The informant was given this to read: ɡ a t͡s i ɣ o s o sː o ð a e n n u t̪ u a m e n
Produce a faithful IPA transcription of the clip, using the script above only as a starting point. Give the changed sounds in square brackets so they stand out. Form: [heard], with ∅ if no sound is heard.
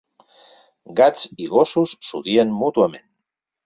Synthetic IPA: ɡ a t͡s i ɣ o s [u] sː [u] ð [i] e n [m] u t̪ u a m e n